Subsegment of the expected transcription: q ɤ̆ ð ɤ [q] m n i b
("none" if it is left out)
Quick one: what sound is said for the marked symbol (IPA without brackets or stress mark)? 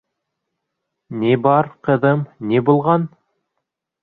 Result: none